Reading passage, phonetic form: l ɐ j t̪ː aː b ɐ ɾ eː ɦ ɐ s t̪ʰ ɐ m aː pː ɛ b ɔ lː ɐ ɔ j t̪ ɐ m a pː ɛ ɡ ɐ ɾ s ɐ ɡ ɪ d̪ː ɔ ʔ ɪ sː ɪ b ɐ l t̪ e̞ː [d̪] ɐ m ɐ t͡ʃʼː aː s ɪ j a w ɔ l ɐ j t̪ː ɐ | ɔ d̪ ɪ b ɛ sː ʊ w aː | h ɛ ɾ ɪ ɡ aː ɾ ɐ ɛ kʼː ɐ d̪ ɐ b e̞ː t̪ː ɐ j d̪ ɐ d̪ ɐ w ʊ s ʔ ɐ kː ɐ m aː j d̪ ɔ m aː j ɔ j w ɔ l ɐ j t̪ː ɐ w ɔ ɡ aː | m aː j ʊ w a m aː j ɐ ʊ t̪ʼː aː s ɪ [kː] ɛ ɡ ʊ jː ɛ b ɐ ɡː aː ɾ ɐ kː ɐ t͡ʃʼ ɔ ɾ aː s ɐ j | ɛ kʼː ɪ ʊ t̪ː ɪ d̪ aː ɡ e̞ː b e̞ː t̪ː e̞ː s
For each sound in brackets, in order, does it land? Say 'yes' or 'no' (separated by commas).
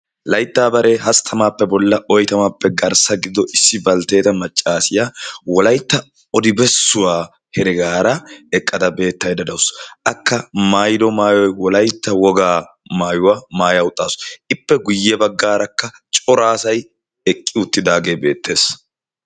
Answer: no, no